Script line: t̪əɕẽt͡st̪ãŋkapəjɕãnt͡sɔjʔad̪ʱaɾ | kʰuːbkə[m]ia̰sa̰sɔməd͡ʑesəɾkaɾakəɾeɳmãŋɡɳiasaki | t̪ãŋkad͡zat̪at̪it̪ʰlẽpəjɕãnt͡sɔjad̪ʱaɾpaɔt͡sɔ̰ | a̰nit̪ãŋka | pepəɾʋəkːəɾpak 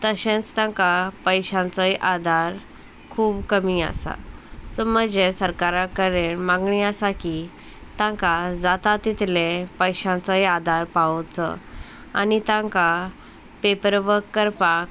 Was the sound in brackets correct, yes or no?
yes